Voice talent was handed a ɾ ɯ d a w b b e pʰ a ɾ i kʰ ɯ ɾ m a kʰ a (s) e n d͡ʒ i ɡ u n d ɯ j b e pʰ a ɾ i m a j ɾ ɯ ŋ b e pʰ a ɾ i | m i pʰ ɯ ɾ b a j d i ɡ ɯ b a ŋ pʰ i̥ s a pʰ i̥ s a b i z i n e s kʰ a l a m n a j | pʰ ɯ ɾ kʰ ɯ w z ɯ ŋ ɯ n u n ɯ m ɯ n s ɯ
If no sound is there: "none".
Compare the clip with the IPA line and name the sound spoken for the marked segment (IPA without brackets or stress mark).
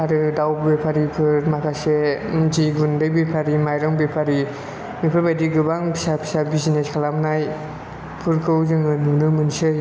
s